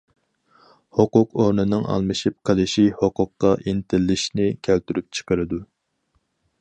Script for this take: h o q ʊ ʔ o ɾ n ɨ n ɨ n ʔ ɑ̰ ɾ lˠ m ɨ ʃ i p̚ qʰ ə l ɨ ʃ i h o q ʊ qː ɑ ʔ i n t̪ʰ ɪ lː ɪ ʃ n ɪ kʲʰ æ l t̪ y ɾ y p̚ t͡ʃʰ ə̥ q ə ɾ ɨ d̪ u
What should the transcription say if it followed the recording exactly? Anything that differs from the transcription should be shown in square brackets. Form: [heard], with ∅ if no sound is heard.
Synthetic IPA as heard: h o q ʊ [q] o ɾ n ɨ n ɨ [ŋ] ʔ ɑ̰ [∅] lˠ m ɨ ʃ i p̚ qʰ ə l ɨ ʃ i h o q ʊ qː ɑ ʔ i n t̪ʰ ɪ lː ɪ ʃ n ɪ kʲʰ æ l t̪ y ɾ y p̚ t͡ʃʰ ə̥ q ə ɾ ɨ d̪ u